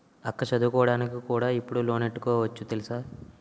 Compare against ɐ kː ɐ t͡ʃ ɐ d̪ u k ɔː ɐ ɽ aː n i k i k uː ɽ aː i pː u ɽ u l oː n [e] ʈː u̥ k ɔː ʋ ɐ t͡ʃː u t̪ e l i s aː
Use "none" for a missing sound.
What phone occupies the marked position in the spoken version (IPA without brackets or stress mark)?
e